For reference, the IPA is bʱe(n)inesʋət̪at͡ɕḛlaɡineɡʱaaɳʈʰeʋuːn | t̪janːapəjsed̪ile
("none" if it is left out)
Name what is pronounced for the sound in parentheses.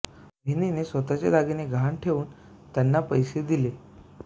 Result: n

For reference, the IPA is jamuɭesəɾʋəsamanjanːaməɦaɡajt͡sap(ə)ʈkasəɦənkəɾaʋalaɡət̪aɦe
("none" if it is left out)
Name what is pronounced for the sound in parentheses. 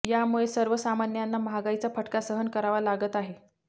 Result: ə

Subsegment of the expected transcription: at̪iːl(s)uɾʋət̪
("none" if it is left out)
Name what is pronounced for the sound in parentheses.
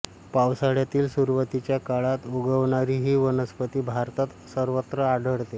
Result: s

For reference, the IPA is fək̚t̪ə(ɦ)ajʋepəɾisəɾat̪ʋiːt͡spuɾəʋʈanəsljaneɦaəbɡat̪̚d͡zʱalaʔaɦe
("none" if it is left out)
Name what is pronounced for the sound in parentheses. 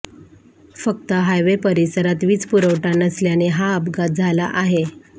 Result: ɦ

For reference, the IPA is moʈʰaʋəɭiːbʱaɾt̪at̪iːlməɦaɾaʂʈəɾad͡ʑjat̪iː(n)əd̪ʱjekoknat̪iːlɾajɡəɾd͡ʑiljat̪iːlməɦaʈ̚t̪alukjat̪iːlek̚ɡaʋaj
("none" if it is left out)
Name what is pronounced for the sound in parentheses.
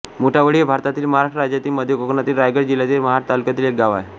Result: m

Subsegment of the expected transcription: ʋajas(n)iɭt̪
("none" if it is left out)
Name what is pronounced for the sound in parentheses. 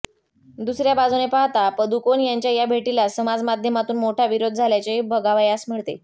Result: m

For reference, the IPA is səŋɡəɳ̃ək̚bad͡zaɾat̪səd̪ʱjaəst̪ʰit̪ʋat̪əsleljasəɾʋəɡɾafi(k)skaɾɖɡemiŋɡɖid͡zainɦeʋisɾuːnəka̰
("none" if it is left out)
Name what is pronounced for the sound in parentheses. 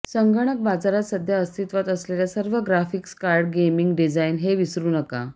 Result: k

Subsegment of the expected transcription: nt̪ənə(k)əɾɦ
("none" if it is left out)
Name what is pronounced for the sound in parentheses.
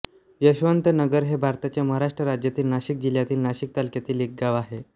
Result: ɡ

